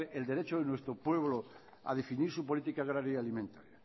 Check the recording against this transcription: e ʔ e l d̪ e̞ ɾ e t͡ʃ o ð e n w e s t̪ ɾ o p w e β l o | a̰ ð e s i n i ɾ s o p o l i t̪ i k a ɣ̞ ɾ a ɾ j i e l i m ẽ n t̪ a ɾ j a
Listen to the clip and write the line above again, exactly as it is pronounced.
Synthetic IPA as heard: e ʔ e l d̪ e̞ ɾ e t͡ʃ o ð e n w e s t̪ ɾ o p w e β l o | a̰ ð e f i n i ɾ s u p o l i t̪ i k a ɣ̞ ɾ a ɾ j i a l i m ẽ n t̪ a ɾ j a

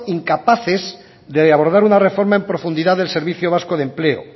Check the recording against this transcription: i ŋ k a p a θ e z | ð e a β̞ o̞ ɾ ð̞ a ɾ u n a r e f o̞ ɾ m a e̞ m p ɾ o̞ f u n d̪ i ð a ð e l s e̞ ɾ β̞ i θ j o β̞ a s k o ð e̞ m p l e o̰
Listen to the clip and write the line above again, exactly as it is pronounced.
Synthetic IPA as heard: i ŋ k a p a θ e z | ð e a β̞ o̞ ɾ ð̞ a ɾ u n a r e f o̞ ɾ m a e̞ m p ɾ o̞ f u n d̪ i ð a ð e l s e̞ ɾ β̞ i θ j o β̞ a s k o ð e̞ m p l e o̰

